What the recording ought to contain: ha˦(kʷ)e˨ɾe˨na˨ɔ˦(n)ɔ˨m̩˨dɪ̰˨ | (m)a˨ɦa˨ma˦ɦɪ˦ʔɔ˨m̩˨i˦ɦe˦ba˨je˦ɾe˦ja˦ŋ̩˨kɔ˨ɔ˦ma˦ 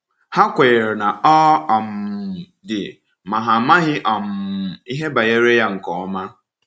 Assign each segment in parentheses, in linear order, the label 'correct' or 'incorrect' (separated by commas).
correct, incorrect, correct